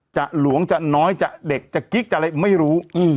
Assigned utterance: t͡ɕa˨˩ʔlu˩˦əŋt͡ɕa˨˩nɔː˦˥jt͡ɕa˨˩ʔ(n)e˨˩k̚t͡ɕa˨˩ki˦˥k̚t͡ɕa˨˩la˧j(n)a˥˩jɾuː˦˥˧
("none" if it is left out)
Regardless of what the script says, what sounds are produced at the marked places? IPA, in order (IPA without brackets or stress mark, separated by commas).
d, m